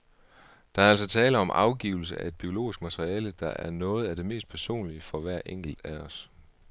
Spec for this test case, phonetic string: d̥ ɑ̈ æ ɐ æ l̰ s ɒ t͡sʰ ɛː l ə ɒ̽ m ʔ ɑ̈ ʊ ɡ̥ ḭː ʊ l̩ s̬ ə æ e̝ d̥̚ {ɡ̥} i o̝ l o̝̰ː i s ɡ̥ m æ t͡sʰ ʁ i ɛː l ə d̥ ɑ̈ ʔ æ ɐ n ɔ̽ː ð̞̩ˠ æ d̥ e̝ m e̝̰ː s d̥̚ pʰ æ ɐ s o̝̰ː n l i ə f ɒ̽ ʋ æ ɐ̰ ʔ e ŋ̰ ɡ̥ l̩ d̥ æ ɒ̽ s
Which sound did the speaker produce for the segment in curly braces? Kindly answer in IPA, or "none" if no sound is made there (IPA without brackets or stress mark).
b̥